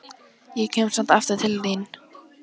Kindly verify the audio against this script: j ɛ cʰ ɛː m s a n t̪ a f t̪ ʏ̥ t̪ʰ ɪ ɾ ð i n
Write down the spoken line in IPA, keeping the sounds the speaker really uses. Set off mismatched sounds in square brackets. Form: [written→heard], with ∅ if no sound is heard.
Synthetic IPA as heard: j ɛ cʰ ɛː m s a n t̪ a f t̪ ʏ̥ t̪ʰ ɪ [ɾ→l] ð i n